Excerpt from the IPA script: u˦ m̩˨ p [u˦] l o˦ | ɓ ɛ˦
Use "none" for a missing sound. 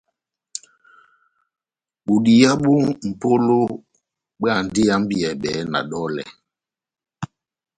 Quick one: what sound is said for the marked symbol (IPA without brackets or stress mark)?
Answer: o˦